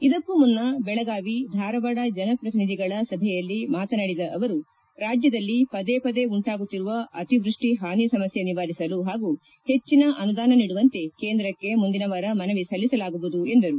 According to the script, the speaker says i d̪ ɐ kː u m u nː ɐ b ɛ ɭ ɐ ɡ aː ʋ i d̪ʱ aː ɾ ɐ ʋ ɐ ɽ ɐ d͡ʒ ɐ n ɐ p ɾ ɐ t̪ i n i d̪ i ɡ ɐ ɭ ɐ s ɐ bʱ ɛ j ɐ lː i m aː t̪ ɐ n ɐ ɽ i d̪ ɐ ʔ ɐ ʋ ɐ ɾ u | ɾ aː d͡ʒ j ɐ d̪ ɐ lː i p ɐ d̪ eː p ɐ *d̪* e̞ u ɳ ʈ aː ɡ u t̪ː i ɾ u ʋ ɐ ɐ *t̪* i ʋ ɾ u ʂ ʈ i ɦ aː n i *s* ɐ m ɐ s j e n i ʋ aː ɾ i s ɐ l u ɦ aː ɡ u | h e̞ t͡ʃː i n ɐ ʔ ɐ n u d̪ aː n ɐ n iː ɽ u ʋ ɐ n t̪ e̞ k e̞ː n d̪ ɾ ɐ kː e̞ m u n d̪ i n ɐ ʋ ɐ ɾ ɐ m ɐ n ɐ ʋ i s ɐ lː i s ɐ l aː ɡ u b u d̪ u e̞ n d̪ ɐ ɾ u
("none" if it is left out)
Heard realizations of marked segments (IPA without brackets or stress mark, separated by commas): d̪, t̪, s